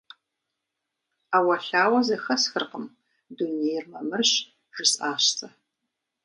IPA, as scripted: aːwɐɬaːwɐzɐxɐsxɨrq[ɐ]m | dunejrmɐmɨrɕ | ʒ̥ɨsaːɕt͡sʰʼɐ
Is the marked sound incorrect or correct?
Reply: incorrect